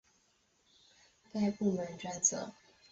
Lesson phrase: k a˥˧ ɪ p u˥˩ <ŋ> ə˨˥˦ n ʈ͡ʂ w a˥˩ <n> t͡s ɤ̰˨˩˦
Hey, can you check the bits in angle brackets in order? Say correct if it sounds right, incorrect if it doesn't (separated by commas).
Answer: incorrect, correct